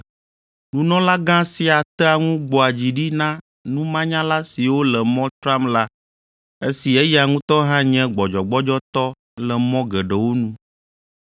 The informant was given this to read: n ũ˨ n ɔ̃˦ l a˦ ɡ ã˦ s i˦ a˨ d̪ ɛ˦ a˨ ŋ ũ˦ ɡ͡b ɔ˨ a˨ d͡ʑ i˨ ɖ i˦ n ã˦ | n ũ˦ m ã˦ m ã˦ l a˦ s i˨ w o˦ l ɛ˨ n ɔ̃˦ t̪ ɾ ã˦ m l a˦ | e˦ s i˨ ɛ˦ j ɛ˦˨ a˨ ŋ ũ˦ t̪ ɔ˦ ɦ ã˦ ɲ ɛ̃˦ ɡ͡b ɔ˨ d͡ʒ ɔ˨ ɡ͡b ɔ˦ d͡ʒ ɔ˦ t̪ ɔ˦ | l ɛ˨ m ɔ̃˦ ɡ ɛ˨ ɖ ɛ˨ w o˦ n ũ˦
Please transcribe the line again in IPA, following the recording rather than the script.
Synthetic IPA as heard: n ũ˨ n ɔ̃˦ l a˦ ɡ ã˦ s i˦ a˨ t̪ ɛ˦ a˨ ŋ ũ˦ ɡ͡b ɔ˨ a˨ d͡ʑ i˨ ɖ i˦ n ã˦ | n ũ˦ m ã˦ ɲ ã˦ l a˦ s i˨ w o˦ l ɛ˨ m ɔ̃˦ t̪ ɾ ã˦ m l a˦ | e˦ s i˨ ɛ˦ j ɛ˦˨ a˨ ŋ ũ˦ t̪ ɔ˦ ɦ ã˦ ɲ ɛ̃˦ ɡ͡b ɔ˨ d͡ʒ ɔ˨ ɡ͡b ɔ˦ d͡ʒ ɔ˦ t̪ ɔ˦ | l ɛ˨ m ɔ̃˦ ɡ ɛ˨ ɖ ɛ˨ w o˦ n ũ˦